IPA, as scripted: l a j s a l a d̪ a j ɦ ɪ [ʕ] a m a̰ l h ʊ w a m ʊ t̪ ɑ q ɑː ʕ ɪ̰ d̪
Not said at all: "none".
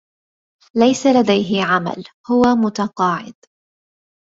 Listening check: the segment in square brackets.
ʕ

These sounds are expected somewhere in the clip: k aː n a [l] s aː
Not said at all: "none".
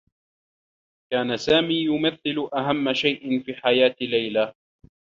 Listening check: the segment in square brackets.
none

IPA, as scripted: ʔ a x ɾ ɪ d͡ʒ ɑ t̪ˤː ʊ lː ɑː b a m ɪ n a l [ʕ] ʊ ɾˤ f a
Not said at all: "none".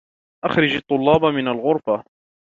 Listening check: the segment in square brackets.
ɣ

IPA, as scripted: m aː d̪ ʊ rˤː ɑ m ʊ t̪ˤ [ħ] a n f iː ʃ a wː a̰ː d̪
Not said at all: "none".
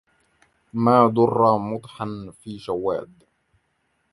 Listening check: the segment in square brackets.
ħ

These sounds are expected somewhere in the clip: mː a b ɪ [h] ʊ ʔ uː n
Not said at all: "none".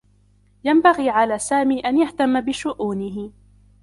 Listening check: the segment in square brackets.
ʃ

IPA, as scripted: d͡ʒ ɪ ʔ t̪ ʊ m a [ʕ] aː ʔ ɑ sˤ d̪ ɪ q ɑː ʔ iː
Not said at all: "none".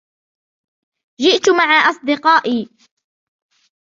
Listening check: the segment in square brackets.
ʕ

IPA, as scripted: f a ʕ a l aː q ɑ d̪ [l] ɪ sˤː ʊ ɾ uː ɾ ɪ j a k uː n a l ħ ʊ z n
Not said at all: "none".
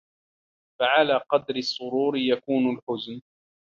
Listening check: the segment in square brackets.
ɾ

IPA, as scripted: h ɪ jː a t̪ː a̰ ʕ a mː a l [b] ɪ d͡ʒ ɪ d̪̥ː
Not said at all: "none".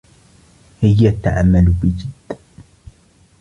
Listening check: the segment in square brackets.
b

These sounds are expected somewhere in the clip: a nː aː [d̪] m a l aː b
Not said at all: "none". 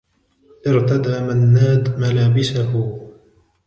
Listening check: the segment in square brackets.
d̪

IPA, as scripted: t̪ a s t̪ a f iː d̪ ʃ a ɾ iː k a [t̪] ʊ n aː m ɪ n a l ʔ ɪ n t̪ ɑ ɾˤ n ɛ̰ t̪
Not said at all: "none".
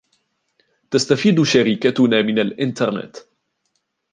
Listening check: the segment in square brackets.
t̪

